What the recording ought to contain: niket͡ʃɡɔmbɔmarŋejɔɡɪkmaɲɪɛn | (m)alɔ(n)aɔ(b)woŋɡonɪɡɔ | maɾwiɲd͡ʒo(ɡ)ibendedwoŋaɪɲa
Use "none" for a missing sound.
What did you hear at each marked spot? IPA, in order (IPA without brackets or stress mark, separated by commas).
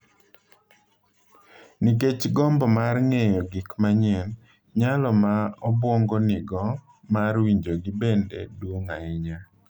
ɲ, m, b, ɡ